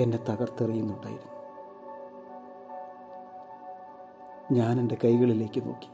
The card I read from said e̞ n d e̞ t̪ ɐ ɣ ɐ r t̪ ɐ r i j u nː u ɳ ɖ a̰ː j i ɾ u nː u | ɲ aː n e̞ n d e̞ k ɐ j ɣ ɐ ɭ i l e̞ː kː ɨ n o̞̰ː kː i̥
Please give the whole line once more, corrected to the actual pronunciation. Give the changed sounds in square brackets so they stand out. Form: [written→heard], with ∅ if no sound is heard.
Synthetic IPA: e̞ n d e̞ t̪ ɐ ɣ ɐ r t̪ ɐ r i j u nː u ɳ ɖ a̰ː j i ɾ u nː u | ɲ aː n e̞ n d e̞ k ɐ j ɣ ɐ ɭ i l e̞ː kː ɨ n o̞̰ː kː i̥